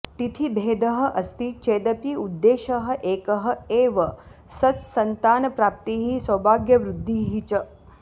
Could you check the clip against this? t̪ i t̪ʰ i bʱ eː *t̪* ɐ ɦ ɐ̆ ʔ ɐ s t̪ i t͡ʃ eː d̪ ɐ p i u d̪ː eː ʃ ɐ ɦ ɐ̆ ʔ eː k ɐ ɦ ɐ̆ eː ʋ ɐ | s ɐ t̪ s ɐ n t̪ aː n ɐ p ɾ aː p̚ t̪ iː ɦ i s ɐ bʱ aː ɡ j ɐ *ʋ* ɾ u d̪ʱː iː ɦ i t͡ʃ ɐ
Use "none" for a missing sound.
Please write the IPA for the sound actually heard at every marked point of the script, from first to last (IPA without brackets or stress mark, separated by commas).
d̪, ʋ